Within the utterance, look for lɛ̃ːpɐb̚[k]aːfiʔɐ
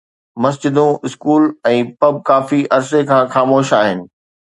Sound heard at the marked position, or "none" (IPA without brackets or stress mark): k